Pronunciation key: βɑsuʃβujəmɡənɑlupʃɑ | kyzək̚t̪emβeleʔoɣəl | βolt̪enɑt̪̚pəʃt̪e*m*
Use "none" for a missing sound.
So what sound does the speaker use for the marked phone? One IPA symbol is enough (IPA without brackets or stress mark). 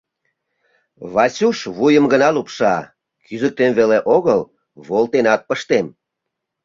m